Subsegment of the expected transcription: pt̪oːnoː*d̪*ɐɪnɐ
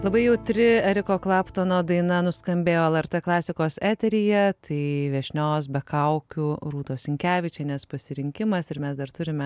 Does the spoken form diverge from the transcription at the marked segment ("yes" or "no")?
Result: no